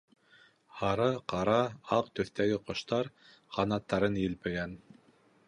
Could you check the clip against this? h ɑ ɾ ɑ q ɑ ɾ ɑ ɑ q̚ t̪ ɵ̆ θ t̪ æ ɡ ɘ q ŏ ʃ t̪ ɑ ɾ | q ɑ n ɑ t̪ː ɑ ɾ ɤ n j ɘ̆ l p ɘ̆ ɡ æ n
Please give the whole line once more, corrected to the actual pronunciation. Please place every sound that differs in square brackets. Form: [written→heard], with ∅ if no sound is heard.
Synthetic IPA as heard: h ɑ ɾ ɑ q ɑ ɾ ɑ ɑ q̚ t̪ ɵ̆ θ t̪ æ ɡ ɘ q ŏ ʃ t̪ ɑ ɾ | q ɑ n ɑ t̪ː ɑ ɾ ɤ n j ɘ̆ l p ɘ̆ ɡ æ n